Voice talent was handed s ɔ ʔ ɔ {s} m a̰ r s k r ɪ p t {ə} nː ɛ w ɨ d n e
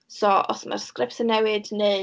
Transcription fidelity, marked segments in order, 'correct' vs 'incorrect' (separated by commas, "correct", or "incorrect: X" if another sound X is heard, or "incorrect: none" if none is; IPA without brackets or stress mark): correct, correct